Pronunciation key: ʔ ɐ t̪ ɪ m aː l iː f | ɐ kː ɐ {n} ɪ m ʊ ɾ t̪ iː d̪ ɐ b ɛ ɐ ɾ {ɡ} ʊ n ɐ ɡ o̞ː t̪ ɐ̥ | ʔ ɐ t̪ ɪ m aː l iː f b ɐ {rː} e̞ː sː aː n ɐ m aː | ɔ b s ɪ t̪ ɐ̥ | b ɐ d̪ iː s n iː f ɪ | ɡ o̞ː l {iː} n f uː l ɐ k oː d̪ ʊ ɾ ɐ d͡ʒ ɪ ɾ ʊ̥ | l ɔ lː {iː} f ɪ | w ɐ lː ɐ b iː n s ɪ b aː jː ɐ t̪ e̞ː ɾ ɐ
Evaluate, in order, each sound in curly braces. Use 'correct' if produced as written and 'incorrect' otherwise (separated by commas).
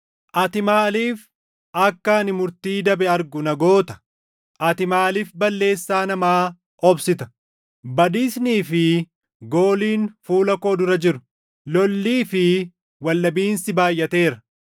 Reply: correct, correct, incorrect, correct, correct